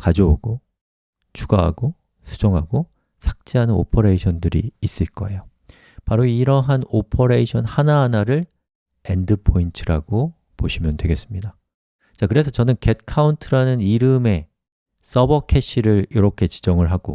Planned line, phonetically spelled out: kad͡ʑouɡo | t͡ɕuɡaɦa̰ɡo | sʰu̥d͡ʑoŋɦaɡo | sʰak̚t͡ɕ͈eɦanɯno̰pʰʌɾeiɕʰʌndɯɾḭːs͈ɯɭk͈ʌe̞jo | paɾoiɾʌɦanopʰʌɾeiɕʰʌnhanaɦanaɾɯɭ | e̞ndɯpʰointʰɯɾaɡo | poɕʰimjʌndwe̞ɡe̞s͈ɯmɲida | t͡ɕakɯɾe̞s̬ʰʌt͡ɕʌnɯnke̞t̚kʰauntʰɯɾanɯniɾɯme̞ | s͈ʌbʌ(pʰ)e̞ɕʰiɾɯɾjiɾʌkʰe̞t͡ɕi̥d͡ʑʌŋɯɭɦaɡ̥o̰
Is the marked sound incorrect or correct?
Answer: incorrect